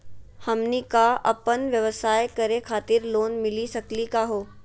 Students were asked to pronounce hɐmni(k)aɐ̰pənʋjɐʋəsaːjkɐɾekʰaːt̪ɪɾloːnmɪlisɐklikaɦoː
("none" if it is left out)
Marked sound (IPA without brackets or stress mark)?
k